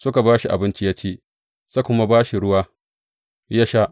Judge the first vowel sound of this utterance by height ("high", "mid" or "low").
high